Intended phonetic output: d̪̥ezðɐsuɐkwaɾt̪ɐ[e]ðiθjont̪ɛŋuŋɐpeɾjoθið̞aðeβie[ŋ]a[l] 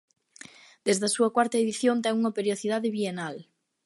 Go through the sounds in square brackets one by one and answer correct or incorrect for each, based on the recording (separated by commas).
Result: correct, incorrect, correct